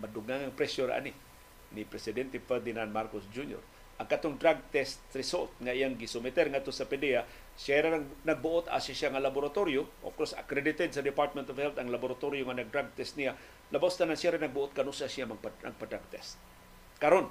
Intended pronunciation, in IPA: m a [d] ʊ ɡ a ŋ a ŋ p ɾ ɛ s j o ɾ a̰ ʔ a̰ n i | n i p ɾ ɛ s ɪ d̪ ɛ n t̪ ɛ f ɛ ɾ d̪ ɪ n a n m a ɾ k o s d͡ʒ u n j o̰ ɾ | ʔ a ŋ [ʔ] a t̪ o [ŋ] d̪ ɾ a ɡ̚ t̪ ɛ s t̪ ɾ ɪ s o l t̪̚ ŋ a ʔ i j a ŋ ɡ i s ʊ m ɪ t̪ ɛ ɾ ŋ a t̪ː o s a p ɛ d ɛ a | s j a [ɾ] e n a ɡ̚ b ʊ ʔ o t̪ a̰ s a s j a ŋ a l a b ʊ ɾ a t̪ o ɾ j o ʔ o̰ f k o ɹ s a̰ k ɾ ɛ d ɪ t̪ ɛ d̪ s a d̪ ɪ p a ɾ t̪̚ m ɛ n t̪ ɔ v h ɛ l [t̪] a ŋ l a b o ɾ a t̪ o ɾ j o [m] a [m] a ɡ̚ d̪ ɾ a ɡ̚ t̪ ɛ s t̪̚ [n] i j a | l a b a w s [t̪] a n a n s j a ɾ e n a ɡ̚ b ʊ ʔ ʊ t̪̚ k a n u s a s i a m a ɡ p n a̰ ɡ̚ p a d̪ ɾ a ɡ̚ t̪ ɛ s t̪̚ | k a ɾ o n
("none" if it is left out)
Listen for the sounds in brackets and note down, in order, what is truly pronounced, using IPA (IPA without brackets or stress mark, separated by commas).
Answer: d, k, ŋ, ɾ, t̪, ŋ, n, n, t̪